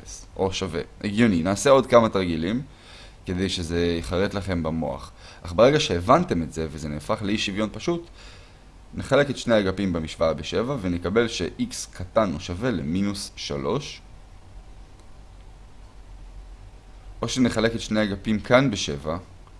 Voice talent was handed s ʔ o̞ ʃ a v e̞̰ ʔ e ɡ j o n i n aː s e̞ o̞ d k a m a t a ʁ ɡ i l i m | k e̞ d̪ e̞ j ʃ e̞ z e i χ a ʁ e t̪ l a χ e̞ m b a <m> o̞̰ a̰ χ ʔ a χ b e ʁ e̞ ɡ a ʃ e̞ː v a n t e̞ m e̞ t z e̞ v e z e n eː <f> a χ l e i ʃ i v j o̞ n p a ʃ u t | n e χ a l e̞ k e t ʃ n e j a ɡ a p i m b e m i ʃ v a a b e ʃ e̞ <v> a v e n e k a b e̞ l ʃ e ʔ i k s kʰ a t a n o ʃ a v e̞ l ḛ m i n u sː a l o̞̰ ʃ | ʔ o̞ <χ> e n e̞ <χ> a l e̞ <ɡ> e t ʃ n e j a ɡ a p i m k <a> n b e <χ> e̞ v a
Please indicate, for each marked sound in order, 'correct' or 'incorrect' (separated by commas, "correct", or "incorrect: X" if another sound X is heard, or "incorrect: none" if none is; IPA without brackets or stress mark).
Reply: correct, correct, correct, incorrect: ʃ, correct, incorrect: k, correct, incorrect: ʃ